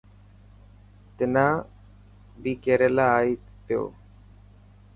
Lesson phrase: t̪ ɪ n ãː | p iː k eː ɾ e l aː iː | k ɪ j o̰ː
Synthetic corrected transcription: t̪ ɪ n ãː | b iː k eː ɾ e l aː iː | p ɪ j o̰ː

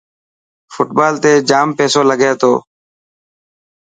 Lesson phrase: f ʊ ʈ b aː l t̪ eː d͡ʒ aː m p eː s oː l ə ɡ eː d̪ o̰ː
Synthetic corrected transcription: f ʊ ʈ b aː l t̪ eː d͡ʒ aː m p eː s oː l ə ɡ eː t̪ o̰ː

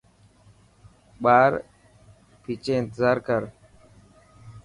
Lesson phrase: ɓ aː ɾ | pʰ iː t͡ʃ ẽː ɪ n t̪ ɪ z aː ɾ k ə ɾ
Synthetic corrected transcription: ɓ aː ɾ | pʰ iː t͡ʃ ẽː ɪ n t̪ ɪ z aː ɾ k ə ɾ

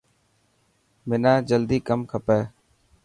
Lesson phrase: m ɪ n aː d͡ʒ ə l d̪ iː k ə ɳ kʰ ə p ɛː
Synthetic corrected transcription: m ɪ n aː d͡ʒ ə l d̪ iː k ə m kʰ ə p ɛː

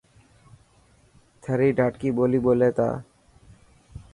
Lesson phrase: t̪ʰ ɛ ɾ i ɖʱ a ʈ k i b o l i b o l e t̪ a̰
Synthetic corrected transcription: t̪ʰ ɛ ɾ i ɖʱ a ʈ k i b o l i b o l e t̪ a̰

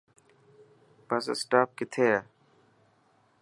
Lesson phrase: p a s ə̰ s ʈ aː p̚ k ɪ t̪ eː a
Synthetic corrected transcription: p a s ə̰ s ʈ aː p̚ k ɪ t̪ʰ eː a

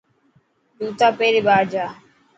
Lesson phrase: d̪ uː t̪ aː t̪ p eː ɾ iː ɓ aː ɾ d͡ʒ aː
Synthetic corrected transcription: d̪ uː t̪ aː p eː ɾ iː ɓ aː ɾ d͡ʒ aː

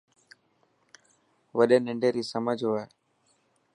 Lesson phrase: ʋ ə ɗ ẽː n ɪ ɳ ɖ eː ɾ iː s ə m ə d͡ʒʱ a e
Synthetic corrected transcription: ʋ ə ɗ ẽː n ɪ ɳ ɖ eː ɾ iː s ə m ə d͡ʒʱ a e

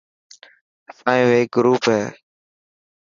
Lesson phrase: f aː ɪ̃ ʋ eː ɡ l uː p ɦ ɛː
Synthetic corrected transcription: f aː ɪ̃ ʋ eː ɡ ɾ uː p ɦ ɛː

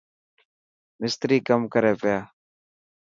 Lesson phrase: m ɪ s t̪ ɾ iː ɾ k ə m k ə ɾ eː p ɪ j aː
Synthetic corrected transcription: m ɪ s t̪ ɾ iː k ə m k ə ɾ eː p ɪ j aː

